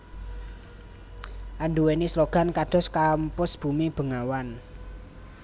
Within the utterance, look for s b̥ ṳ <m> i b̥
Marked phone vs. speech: correct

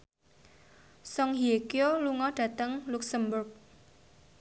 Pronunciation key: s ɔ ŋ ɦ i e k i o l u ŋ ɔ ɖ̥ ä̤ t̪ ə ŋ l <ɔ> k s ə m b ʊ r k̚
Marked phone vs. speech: incorrect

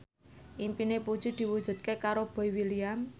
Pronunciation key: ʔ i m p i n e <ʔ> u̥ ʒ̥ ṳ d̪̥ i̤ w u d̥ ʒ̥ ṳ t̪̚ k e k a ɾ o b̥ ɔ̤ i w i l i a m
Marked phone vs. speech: incorrect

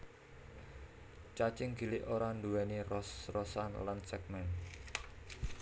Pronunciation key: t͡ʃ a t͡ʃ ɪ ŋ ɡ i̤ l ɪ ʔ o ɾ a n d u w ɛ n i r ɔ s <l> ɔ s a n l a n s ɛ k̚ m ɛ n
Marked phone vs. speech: incorrect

